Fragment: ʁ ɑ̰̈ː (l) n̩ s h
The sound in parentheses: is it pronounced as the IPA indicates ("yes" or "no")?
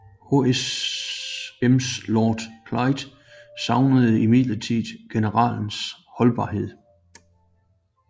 yes